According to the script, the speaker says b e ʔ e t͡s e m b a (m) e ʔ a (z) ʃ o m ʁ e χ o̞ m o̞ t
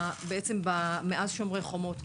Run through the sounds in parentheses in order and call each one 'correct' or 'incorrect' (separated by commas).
correct, correct